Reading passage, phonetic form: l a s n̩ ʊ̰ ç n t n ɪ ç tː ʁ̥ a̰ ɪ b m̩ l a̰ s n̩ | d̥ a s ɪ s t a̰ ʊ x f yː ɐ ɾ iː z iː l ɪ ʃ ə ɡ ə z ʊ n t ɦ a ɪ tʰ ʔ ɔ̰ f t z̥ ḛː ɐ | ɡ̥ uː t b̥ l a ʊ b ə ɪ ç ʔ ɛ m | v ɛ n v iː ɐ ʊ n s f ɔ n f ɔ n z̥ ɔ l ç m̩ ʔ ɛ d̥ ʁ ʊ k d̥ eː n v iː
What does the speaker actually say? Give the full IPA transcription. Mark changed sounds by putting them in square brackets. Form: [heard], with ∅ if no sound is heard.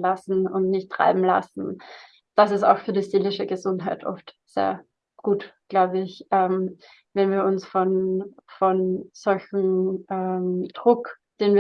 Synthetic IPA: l a s n̩ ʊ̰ [∅] n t n ɪ ç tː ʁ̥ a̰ ɪ b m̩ l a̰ s n̩ | d̥ a s ɪ s t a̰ ʊ x f yː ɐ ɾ iː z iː l ɪ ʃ ə ɡ ə z ʊ n t ɦ a ɪ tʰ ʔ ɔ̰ f t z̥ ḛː ɐ | ɡ̥ uː t [ɡ̥] l a ʊ b ə ɪ ç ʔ ɛ m | v ɛ n v iː ɐ ʊ n s f ɔ n f ɔ n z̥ ɔ l ç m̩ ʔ ɛ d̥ ʁ ʊ k d̥ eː n v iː